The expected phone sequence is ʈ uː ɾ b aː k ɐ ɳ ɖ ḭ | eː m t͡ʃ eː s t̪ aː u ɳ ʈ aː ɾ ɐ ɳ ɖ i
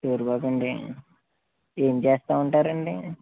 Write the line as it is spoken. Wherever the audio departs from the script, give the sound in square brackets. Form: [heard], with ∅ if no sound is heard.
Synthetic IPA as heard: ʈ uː ɾ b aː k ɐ ɳ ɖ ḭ | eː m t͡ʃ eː s t̪ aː u ɳ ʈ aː ɾ ɐ ɳ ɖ i